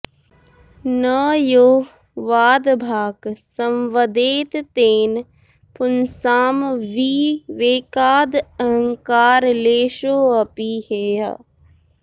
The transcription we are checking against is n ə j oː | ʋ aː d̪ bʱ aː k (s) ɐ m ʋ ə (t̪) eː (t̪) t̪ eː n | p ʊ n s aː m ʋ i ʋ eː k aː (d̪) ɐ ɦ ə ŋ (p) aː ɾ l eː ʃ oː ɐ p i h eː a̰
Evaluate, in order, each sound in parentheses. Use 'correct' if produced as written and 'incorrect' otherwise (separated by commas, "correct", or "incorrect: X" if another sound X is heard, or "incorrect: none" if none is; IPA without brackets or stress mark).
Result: correct, incorrect: d̪, correct, correct, incorrect: k